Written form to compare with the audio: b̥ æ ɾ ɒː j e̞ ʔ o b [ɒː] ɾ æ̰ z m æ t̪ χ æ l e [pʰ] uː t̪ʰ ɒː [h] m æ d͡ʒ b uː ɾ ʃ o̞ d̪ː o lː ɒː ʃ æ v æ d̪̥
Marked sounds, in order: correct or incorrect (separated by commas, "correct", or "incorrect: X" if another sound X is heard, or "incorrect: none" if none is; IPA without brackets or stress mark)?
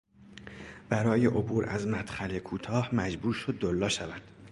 incorrect: uː, incorrect: kʰ, correct